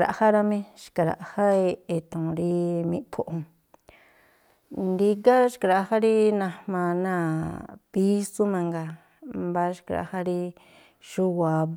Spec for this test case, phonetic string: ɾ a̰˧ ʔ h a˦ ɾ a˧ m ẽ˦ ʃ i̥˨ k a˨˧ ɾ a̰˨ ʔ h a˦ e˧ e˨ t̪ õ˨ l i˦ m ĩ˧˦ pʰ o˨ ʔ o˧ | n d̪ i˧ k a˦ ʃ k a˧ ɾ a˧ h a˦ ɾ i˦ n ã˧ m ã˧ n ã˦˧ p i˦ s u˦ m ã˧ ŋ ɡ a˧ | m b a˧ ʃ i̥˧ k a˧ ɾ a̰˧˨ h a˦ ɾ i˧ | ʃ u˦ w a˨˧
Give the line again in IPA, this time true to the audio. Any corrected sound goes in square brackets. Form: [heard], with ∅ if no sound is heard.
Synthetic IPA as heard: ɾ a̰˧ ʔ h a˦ ɾ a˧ m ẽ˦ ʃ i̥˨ k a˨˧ ɾ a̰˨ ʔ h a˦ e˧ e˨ t̪ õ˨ [ɾ] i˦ m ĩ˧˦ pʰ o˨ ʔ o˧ | n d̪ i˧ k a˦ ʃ k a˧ ɾ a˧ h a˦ ɾ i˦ n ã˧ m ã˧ n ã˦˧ p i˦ s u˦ m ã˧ ŋ ɡ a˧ | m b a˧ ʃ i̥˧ k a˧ ɾ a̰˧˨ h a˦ ɾ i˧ | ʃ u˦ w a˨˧